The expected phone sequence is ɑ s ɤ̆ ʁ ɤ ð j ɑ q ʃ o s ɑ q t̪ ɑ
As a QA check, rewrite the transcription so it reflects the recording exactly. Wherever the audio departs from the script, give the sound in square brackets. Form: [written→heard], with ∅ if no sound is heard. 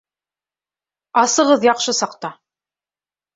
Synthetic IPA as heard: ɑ s ɤ̆ ʁ ɤ ð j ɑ q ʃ [o→ɤ] s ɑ q t̪ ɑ